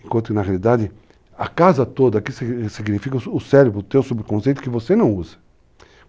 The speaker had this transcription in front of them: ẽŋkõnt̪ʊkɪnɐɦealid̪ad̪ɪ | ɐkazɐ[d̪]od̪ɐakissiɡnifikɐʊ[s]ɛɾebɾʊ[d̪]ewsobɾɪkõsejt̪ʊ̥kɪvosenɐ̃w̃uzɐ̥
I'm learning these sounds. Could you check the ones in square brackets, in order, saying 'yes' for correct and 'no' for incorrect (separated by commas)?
no, yes, no